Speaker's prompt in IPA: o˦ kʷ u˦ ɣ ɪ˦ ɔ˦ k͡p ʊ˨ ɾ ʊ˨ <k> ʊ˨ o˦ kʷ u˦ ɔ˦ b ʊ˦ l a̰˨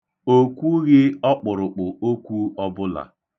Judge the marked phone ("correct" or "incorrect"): incorrect